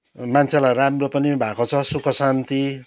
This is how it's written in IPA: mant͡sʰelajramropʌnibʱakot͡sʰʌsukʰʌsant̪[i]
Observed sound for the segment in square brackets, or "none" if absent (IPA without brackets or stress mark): i